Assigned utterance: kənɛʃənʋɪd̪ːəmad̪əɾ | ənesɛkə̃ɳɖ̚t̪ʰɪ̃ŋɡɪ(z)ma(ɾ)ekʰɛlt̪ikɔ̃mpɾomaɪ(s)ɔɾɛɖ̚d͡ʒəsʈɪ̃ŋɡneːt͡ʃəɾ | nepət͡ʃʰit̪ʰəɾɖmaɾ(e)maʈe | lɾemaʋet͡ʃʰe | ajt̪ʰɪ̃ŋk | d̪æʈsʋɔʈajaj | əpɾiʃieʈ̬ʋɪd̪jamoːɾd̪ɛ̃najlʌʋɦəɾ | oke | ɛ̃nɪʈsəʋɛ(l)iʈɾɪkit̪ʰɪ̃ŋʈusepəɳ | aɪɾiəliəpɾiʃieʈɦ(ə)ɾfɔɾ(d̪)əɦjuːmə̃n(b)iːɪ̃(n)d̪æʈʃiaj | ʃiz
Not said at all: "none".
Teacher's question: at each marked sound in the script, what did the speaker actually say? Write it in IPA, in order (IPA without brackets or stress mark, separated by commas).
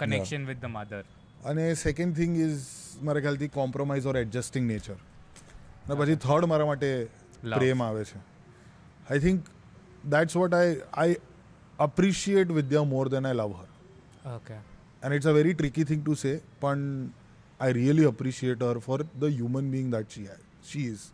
z, ɾ, z, a, ɾ, ə, d̪, b, ŋ